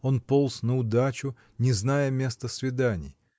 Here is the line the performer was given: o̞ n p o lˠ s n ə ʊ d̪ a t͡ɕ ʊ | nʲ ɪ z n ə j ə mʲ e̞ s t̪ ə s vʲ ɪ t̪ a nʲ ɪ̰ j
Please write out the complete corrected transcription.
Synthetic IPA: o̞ n p o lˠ s n ə ʊ d̪ a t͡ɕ ʊ | nʲ ɪ z n a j ə mʲ e̞ s t̪ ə s vʲ ɪ d̪ a nʲ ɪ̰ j